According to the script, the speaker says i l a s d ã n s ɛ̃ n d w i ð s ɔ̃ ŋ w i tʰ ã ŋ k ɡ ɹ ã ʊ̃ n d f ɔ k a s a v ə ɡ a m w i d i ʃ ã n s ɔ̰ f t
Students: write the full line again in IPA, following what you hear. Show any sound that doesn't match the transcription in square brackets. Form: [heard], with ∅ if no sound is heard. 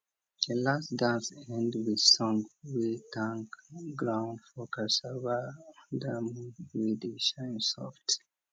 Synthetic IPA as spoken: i l a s d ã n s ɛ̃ n d w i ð s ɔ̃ ŋ w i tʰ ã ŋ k ɡ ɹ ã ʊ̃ n d f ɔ k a s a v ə [d] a m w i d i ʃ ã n s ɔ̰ f t